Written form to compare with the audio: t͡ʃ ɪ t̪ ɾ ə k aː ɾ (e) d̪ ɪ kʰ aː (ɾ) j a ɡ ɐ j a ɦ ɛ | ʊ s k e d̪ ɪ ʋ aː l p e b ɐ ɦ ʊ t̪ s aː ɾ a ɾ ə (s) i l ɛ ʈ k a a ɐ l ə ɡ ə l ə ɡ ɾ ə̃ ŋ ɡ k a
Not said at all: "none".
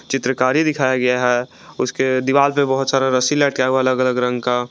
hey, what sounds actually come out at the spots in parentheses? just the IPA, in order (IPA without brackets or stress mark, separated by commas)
i, none, s